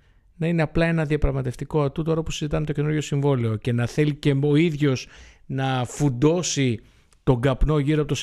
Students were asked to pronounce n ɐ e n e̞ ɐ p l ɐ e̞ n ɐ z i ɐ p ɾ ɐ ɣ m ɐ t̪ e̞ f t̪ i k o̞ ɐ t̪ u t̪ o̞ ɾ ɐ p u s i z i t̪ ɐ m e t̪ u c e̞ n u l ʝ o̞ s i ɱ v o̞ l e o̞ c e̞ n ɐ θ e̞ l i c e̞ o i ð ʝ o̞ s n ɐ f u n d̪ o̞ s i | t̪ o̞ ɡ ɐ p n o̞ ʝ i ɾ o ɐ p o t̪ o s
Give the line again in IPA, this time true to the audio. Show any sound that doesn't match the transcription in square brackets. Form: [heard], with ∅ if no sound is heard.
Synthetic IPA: n ɐ [i] n e̞ ɐ p l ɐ e̞ n ɐ [ð] i ɐ p ɾ ɐ ɣ m ɐ t̪ e̞ f t̪ i k o̞ ɐ t̪ u t̪ o̞ ɾ ɐ p u s i z i t̪ ɐ m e t̪ [o] c e̞ n u [ɾ] ʝ o̞ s i ɱ v o̞ l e o̞ c e̞ n ɐ θ e̞ l i c e̞ o i ð ʝ o̞ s n ɐ f u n d̪ o̞ s i | t̪ o̞ ɡ ɐ p n o̞ ʝ i ɾ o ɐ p o t̪ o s